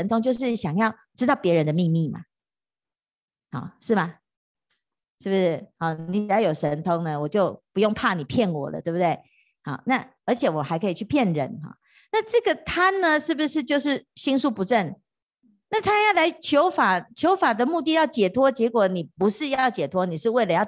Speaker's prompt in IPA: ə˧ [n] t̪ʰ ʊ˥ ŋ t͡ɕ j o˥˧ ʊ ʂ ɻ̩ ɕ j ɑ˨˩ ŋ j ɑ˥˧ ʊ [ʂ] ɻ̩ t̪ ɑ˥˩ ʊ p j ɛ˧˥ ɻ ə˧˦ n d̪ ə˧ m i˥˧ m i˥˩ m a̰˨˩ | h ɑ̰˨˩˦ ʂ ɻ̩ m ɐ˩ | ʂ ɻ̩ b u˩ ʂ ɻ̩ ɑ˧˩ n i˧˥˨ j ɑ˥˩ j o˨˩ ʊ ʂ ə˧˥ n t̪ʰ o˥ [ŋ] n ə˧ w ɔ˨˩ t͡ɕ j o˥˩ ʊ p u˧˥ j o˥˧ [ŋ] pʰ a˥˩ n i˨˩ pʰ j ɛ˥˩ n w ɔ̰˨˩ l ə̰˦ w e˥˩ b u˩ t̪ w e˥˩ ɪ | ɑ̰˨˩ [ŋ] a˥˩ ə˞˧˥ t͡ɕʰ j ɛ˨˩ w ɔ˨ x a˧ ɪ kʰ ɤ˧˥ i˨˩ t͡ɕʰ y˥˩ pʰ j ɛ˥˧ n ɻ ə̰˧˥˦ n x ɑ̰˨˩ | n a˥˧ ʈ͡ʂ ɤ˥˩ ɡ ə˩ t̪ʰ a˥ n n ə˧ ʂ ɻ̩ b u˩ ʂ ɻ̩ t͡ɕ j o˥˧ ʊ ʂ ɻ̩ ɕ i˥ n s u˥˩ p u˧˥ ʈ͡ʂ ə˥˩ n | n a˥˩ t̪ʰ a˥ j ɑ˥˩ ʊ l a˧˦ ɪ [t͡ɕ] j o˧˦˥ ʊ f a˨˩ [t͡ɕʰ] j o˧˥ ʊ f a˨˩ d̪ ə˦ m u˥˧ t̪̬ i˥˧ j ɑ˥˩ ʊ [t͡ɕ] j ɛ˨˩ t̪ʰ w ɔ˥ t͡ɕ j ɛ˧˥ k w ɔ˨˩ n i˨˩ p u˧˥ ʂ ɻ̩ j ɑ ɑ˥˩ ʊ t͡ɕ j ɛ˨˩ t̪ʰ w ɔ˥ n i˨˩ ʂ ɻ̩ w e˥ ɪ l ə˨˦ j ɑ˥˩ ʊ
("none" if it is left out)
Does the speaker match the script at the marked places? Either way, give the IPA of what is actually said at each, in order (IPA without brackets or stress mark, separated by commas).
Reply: n, ʈ͡ʂ, ŋ, ŋ, n, t͡ɕʰ, t͡ɕʰ, t͡ɕ